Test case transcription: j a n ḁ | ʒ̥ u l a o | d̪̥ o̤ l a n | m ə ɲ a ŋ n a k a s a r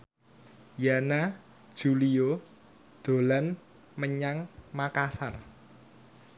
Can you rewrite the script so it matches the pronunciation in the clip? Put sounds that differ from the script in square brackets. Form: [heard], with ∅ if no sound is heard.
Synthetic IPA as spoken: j a n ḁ | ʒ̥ u l [i] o | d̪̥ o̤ l a n | m ə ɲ a ŋ [m] a k a s a r